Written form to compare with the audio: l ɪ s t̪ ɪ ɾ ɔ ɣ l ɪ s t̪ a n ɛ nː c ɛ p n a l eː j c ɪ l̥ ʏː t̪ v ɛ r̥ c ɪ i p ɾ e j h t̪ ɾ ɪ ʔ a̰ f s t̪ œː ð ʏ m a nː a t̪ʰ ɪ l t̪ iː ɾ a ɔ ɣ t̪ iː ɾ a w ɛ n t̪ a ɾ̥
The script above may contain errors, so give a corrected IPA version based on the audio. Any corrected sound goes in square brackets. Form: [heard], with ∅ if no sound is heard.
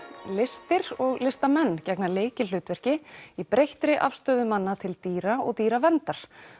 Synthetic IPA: l ɪ s t̪ ɪ ɾ ɔ ɣ l ɪ s t̪ a [m] ɛ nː c ɛ [k] n a l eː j c ɪ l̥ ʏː t̪ v ɛ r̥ c ɪ i p ɾ e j h t̪ ɾ ɪ ʔ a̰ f s t̪ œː ð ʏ m a nː a t̪ʰ ɪ l t̪ iː ɾ a ɔ ɣ t̪ iː ɾ a [v] ɛ n t̪ a ɾ̥